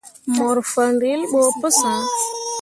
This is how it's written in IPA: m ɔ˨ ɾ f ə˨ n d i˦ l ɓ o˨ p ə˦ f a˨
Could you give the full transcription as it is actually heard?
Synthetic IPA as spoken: m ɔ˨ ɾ f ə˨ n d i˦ l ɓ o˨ p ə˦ s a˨